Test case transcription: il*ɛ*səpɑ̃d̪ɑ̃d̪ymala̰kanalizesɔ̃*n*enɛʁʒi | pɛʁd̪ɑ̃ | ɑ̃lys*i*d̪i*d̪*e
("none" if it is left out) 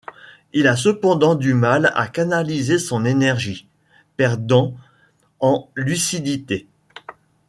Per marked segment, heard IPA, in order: a, n, i, t̪

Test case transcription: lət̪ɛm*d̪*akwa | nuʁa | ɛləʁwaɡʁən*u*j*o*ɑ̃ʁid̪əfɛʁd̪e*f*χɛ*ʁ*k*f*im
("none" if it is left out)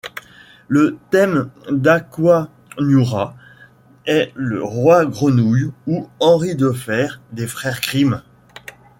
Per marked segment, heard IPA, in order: d̪, u, u, f, ʁ, χ

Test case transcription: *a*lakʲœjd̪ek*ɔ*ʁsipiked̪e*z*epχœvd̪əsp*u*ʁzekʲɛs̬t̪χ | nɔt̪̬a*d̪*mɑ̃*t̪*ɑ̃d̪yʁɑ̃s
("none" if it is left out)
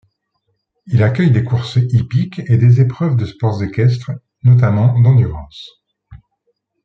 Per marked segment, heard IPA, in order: i, u, z, ɔ, none, d̪

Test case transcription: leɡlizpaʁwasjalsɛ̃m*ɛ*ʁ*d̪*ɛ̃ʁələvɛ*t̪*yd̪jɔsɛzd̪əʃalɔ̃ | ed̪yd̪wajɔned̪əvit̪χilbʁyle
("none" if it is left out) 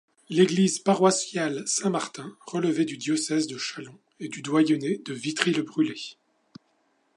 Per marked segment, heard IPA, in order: a, t̪, d̪

